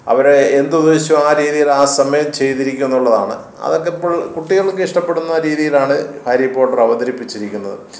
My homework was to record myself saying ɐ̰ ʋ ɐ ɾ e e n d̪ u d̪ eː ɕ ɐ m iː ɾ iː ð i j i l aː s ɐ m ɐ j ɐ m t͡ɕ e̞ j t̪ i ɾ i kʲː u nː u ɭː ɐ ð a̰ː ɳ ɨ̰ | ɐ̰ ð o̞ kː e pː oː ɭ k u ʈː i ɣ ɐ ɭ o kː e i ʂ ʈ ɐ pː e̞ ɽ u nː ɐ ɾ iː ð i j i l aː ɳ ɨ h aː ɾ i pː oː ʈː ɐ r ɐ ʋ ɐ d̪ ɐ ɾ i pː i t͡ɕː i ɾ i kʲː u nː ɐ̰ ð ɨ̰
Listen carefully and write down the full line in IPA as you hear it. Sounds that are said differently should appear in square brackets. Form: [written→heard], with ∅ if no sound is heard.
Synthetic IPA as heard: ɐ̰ ʋ ɐ ɾ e e n d̪ u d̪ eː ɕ ɐ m [iː→aː] ɾ iː ð i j i l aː s ɐ m ɐ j ɐ m t͡ɕ e̞ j t̪ i ɾ i kʲː u nː u ɭː ɐ ð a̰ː ɳ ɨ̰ | ɐ̰ ð o̞ kː e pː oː ɭ k u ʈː i ɣ ɐ ɭ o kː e i ʂ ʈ ɐ pː e̞ ɽ u nː ɐ ɾ iː ð i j i l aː ɳ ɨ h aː ɾ i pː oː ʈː ɐ r ɐ ʋ ɐ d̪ ɐ ɾ i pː i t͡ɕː i ɾ i kʲː u nː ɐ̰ ð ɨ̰